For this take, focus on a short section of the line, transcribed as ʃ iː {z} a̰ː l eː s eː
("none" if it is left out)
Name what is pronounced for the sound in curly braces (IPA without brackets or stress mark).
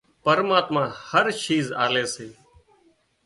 z